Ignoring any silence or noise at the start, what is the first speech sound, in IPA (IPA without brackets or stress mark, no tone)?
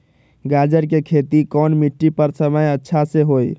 ɡ